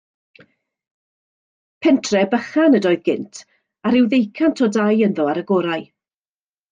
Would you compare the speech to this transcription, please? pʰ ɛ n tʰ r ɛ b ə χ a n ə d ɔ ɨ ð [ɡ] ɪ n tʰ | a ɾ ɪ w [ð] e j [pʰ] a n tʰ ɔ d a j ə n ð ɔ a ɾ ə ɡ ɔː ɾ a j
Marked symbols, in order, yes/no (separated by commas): yes, yes, no